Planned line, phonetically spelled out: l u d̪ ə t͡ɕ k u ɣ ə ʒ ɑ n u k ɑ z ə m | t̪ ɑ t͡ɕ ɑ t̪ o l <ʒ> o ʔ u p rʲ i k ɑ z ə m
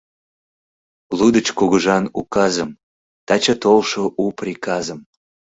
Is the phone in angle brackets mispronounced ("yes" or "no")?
yes